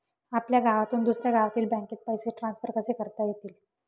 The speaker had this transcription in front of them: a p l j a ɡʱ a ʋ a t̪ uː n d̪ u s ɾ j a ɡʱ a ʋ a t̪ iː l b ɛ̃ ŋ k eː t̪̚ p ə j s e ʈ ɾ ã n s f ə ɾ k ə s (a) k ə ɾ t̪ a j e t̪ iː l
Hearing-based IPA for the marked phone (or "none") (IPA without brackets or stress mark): e